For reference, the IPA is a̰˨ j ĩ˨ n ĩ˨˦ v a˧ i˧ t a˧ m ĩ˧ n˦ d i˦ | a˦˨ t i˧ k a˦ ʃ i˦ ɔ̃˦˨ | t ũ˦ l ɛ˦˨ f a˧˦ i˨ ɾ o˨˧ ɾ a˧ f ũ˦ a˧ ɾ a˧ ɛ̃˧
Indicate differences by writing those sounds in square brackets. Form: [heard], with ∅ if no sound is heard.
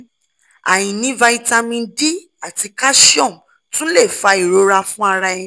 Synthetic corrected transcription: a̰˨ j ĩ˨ n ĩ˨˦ v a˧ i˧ t a˧ m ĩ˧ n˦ d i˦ | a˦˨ t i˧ k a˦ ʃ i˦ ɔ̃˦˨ | t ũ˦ l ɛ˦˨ f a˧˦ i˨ ɾ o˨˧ ɾ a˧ f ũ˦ a˧ ɾ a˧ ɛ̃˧